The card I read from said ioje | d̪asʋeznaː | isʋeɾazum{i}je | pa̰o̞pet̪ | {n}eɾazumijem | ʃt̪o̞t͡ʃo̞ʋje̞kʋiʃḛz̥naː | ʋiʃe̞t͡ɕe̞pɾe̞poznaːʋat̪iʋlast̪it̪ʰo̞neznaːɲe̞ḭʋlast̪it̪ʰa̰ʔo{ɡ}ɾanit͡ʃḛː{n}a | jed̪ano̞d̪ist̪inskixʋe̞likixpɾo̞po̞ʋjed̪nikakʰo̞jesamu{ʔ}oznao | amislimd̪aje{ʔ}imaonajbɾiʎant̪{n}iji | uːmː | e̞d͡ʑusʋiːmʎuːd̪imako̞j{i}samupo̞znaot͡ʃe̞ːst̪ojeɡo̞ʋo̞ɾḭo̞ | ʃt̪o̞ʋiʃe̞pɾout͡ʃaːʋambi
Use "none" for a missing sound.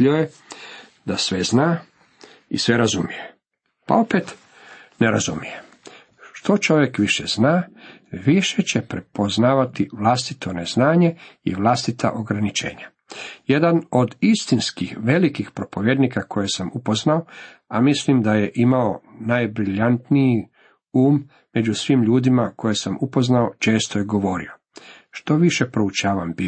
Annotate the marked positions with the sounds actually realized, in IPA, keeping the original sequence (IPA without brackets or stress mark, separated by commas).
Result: i, n, ɡ, ɲ, p, ʔ, n, e